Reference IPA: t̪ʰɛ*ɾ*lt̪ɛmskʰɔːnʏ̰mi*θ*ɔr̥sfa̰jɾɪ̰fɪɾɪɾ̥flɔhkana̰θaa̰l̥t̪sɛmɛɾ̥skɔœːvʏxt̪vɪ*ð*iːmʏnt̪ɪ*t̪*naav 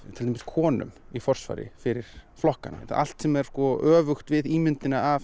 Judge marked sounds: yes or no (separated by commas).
no, no, yes, no